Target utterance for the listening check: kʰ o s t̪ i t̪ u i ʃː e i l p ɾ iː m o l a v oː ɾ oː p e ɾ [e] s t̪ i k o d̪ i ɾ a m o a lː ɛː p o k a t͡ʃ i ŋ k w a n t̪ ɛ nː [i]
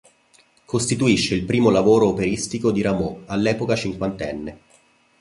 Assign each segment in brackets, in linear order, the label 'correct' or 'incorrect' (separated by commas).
incorrect, incorrect